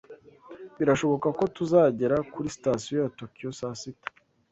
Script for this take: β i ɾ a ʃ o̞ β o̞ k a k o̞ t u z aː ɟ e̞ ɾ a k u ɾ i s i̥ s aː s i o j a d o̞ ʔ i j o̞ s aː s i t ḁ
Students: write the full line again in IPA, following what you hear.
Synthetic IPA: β i ɾ a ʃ o̞ β o̞ k a k o̞ t u z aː ɟ e̞ ɾ a k u ɾ i s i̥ t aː s i o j a t o̞ k i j o̞ s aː s i t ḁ